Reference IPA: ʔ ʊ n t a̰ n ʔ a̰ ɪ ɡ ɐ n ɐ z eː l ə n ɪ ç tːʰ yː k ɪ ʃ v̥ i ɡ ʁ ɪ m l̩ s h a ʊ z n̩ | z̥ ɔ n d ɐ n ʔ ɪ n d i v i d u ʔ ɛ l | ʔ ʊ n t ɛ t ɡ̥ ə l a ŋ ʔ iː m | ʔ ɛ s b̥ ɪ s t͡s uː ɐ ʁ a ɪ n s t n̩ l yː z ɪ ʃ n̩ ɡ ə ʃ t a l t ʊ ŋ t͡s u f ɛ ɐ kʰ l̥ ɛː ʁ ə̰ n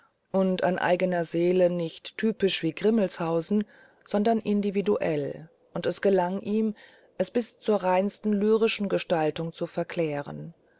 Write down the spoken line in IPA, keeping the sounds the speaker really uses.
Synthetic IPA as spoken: ʔ ʊ n t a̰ n ʔ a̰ ɪ ɡ ə n ɐ z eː l ə n ɪ ç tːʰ yː p ɪ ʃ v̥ iː ɡ ʁ ɪ m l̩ s h a ʊ z n̩ | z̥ ɔ n d ɐ n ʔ ɪ n d i v i d u ʔ ɛ l | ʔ ʊ n t ɛ s ɡ̥ ə l a ŋ ʔ iː m | ʔ ɛ s b̥ ɪ s t͡s uː ɐ ʁ a ɪ n s t n̩ l yː ʁ ɪ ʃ n̩ ɡ ə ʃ t a l t ʊ ŋ t͡s u f ɛ ɐ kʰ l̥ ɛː ʁ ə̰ n

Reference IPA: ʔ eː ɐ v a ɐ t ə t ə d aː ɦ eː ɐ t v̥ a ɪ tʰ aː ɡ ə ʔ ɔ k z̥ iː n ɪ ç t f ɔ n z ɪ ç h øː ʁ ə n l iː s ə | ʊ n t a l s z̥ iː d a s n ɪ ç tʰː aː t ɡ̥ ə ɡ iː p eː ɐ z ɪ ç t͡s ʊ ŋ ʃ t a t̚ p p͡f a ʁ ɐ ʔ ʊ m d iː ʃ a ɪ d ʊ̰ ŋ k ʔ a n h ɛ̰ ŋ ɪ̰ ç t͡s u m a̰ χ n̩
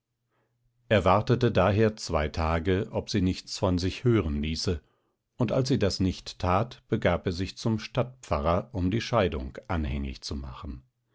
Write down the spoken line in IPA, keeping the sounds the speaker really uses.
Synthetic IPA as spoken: ʔ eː ɐ v a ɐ t ə t ə d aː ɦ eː ɐ t͡s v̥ a ɪ tʰ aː ɡ ə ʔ ɔ p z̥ iː n ɪ ç t͡s f ɔ n z ɪ ç h øː ʁ ə n l iː s ə | ʊ n t a l s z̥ iː d a s n ɪ ç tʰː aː t b̥ ə ɡ aː p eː ɐ z ɪ ç t͡s ʊ m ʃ t a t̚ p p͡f a ʁ ɐ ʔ ʊ m d iː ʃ a ɪ d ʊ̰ ŋ k ʔ a n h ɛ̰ ŋ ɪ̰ ç t͡s u m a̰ χ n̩

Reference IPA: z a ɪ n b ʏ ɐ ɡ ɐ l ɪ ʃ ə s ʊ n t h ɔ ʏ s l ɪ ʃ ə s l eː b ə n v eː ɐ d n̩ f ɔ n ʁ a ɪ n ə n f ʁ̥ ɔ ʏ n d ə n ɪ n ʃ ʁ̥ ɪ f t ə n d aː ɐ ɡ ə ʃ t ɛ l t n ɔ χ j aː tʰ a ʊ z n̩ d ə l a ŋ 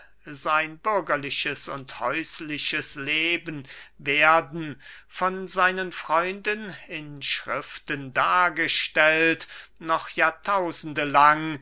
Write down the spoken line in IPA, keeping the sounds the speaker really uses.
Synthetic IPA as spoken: z a ɪ n b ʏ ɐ ɡ ɐ l ɪ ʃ ə s ʊ n t h ɔ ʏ s l ɪ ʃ ə s l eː b ə n v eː ɐ d n̩ f ɔ n z a ɪ n ə n f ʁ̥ ɔ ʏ n d ə n ɪ n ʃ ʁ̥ ɪ f t ə n d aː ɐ ɡ ə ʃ t ɛ l t n ɔ χ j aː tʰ a ʊ z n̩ d ə l a ŋ

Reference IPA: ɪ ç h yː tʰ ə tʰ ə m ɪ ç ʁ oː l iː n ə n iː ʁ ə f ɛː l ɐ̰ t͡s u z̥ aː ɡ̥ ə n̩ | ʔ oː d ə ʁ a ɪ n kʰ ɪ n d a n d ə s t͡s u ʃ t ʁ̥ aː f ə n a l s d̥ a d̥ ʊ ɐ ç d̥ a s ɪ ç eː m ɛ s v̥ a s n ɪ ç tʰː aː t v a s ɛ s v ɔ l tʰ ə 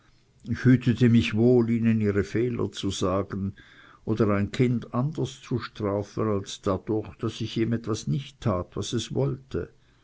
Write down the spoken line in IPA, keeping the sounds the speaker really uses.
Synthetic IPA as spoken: ɪ ç h yː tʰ ə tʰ ə m ɪ ç v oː l iː n ə n iː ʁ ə f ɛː l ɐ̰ t͡s u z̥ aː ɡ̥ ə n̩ | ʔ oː d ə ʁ a ɪ n kʰ ɪ n d a n d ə s t͡s u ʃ t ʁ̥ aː f ə n a l s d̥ a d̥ ʊ ɐ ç d̥ a s ɪ ç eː m ɛ t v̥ a s n ɪ ç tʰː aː t v a s ɛ s v ɔ l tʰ ə

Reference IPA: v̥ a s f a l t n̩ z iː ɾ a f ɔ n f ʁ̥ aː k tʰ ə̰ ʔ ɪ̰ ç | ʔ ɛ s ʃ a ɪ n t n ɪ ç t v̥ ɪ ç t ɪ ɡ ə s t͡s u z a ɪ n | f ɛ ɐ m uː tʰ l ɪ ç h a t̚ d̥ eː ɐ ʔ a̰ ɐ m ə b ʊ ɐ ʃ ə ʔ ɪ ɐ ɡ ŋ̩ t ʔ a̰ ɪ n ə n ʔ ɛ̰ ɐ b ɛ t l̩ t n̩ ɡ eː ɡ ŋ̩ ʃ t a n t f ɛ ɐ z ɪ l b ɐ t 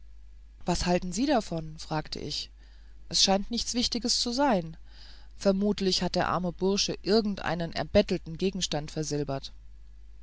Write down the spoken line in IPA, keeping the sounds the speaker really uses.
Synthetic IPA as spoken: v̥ a s h a l t n̩ z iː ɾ a f ɔ n f ʁ̥ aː k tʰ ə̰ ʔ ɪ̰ ç | ʔ ɛ s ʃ a ɪ n t n ɪ ç t͡s v̥ ɪ ç t ɪ ɡ ə s t͡s u z a ɪ n | f ɛ ɐ m uː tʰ l ɪ ç h a t̚ d̥ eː ɐ ʔ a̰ ɐ m ə b ʊ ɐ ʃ ə ʔ ɪ ɐ ɡ ŋ̩ t ʔ a̰ ɪ n ə n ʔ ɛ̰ ɐ b ɛ t l̩ t n̩ ɡ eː ɡ ŋ̩ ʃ t a n t f ɛ ɐ z ɪ l b ɐ t

